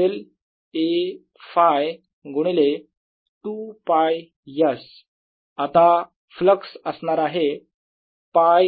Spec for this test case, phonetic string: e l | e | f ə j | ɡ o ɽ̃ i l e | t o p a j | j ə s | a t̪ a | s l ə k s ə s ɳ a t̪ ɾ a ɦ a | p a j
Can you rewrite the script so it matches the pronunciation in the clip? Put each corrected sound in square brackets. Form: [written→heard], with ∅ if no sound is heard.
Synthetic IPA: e l | e | f [ə→a] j | ɡ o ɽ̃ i l e | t [o→u] p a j | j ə s | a t̪ a | [s→f] l ə k s ə s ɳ a [t̪→∅] ɾ a ɦ [a→e] | p a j